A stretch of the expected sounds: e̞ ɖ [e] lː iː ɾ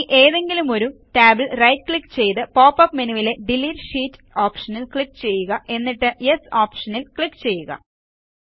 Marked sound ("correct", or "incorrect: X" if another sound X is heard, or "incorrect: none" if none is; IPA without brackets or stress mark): incorrect: i